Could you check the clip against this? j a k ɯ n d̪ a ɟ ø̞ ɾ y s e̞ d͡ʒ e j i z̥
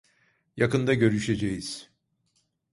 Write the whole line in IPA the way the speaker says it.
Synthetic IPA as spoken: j a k ɯ n d̪ a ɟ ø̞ ɾ y ʃ e̞ d͡ʒ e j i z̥